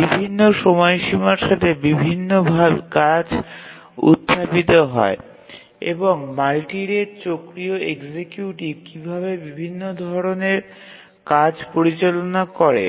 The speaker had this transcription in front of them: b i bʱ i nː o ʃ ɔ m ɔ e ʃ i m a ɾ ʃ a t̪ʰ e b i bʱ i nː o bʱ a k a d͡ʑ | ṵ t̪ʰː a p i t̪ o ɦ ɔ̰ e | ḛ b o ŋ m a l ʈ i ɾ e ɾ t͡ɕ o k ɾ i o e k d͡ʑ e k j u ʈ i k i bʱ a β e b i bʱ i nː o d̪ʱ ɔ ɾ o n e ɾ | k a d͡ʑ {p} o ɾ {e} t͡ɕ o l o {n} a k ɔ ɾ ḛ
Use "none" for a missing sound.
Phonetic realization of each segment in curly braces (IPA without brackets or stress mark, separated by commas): p, i, n